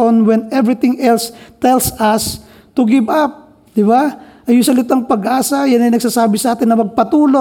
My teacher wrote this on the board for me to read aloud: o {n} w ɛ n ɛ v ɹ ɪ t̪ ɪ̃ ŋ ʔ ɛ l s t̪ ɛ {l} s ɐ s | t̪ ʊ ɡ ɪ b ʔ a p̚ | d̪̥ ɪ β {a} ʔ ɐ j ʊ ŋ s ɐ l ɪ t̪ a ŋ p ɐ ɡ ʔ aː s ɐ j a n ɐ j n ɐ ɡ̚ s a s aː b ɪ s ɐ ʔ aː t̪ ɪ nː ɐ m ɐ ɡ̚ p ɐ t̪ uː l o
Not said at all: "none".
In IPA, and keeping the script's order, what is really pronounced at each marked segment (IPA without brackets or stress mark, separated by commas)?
n, l, a